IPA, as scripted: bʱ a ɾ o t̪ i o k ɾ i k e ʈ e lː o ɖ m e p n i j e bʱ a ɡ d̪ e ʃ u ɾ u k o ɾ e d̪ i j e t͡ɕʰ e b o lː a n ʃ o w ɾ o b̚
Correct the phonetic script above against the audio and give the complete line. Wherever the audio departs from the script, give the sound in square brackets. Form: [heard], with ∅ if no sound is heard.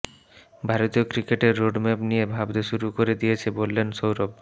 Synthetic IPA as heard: bʱ a ɾ o t̪ i o k ɾ i k e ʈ e [ɾː] o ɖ m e p n i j e bʱ a [b] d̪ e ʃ u ɾ u k o ɾ e d̪ i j e t͡ɕʰ e b o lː [e] n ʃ o w ɾ o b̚

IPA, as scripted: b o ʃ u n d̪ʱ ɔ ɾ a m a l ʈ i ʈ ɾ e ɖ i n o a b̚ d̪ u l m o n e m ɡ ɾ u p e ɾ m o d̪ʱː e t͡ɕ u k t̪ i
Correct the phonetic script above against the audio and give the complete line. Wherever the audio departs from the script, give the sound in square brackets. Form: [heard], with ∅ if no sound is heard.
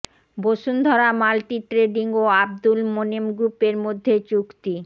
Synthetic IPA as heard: b o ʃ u n d̪ʱ ɔ ɾ a m a l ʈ i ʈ ɾ e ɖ i [ŋ] o a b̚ d̪ u l m o n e m ɡ ɾ u p e ɾ m o d̪ʱː e t͡ɕ u k t̪ i

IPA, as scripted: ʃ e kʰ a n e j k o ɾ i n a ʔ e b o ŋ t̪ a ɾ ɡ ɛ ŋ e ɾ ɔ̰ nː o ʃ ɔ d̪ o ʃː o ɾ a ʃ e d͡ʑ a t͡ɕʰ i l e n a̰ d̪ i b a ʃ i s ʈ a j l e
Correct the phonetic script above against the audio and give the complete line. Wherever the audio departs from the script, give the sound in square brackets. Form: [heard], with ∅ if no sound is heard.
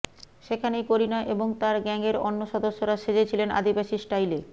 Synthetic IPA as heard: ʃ e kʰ a n e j k o ɾ i n a ʔ e b o ŋ t̪ a ɾ ɡ ɛ ŋ e ɾ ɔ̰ nː o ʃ ɔ d̪ o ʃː o ɾ a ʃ e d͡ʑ [e] t͡ɕʰ i l e n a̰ d̪ i b a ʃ i s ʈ a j l e

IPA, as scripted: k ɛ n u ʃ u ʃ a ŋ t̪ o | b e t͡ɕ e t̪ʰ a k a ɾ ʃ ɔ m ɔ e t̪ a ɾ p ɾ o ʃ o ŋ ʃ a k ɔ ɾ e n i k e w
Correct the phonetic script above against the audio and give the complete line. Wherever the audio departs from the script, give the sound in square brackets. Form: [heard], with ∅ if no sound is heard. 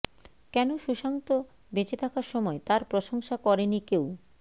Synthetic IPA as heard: k ɛ n [o] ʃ u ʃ a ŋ t̪ o | b e t͡ɕ e t̪ʰ a k a ɾ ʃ ɔ m ɔ e t̪ a ɾ p ɾ o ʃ o ŋ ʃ a k ɔ ɾ e n i k e w

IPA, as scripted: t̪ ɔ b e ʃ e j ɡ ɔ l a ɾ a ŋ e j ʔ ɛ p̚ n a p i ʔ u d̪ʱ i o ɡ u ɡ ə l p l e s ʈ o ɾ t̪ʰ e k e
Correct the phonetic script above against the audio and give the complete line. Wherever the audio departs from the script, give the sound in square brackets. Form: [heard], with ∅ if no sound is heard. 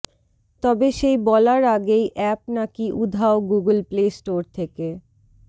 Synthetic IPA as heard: t̪ ɔ b e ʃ e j [b] ɔ l a ɾ a [ɡ] e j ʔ ɛ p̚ n a [k] i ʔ u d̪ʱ [a] o ɡ u ɡ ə l p l e s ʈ o ɾ t̪ʰ e k e

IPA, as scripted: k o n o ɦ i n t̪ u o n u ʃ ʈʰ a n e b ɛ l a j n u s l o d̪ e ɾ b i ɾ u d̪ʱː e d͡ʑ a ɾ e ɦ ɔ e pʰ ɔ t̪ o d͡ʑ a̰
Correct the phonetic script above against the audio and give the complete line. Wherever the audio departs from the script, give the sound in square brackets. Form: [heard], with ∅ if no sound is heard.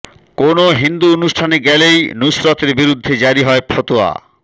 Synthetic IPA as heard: k o n o ɦ i n [d̪] u o n u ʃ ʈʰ a n e [ɡ] ɛ l [e] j n u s [ɾ] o [t̪] e ɾ b i ɾ u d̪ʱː e d͡ʑ a ɾ [i] ɦ ɔ e pʰ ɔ t̪ o [∅] a̰

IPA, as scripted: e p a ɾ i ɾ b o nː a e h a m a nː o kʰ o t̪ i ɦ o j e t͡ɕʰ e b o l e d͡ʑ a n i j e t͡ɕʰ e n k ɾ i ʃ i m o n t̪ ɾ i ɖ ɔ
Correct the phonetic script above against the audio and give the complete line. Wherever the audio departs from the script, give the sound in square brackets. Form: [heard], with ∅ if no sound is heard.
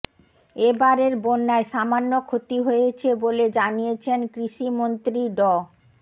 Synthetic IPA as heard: e [b] a ɾ [e] ɾ b o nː a e [ʃ] a m a nː o kʰ o t̪ i ɦ o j e t͡ɕʰ e b o l e d͡ʑ a n i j e t͡ɕʰ e n k ɾ i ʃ i m o n t̪ ɾ i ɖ ɔ

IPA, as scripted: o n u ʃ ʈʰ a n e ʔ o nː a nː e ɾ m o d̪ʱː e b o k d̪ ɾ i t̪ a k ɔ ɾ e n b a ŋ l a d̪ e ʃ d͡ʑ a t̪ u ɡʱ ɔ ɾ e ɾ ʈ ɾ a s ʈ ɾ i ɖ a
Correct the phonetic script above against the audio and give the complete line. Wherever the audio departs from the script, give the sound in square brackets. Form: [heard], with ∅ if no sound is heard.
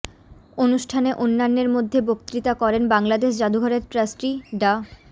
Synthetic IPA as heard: o n u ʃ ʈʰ a n e ʔ o nː a nː e ɾ m o d̪ʱː e b o k [t̪] ɾ i t̪ a k ɔ ɾ e n b a ŋ l a d̪ e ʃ d͡ʑ a [d̪] u ɡʱ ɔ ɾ e ɾ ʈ ɾ a s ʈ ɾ i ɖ a

